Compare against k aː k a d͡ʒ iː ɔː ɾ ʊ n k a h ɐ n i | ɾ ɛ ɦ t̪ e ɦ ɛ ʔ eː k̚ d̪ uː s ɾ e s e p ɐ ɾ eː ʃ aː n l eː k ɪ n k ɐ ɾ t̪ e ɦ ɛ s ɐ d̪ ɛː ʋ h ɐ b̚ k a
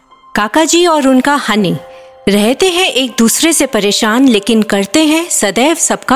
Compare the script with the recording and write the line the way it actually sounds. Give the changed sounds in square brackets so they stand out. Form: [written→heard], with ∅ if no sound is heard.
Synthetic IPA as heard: k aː k a d͡ʒ iː ɔː ɾ ʊ n k a h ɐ n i | ɾ ɛ ɦ t̪ e ɦ [ɛ→ɛ̃] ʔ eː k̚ d̪ uː s ɾ e s e p ɐ ɾ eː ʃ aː n l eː k ɪ n k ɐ ɾ t̪ e ɦ [ɛ→ɛ̃] s ɐ d̪ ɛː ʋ [h→s] ɐ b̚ k a